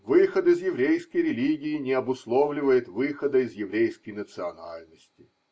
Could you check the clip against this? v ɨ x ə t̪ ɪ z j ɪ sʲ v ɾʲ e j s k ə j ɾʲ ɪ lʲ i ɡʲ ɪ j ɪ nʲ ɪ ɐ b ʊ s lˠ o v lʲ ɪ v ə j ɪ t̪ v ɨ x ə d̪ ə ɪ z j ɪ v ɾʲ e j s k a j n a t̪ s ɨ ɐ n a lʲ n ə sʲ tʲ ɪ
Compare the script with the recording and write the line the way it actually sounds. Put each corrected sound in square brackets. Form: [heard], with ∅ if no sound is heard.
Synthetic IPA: v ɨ x ə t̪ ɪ z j ɪ [∅] v ɾʲ e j s k ə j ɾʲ ɪ lʲ i ɡʲ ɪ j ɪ nʲ ɪ ɐ b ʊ s lˠ o v lʲ ɪ v ə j ɪ t̪ v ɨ x ə d̪ ə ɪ z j ɪ v ɾʲ e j s k [ə] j n [ə] t̪ s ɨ ɐ n a lʲ n ə sʲ tʲ ɪ